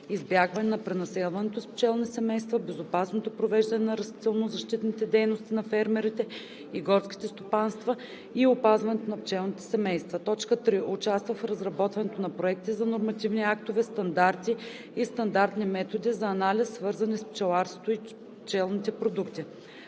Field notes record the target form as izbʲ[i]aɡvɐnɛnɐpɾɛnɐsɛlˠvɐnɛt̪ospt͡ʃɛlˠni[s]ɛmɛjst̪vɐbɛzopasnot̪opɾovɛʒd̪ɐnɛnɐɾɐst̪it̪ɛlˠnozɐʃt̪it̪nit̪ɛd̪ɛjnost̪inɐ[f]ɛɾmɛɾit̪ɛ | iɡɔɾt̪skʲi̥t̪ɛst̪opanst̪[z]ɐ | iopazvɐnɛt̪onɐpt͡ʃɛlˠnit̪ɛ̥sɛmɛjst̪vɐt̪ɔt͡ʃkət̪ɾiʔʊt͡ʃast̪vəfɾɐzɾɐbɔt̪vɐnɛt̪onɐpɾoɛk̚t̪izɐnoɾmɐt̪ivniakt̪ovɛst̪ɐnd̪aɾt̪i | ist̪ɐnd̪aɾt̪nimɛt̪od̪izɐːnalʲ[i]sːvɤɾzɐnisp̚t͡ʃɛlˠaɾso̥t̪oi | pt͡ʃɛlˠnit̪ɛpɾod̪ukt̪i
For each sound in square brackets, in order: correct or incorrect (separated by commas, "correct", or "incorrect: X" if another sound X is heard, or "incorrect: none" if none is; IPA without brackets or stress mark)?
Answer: incorrect: j, correct, correct, incorrect: v, correct